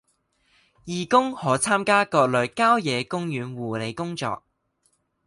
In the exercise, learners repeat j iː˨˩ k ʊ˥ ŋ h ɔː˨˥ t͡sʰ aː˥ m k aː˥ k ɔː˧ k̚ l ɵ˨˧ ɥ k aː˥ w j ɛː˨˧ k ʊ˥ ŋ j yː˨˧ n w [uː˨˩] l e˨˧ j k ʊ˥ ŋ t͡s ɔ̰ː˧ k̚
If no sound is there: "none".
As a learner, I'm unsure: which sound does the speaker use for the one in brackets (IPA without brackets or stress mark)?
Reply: uː˨˩